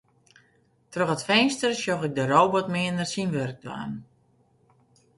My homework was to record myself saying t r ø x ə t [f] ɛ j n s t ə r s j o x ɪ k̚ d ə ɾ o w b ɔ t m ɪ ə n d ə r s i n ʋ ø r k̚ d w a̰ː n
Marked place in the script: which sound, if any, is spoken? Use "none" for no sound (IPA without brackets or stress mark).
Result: f